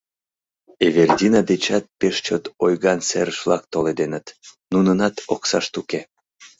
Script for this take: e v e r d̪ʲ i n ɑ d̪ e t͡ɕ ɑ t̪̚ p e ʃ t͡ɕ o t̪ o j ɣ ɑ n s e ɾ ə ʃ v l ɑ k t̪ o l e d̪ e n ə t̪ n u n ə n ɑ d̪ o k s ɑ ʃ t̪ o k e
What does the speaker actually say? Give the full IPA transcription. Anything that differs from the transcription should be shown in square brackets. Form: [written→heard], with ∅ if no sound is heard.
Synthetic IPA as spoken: e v e r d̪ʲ i n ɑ d̪ e t͡ɕ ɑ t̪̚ p e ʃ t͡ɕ o t̪ o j ɣ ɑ n s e ɾ ə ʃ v l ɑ k t̪ o l e d̪ e n ə t̪ n u n ə n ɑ [d̪→t̪] o k s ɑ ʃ t̪ [o→u] k e